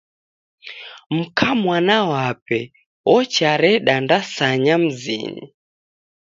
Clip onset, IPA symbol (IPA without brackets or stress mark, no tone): m̩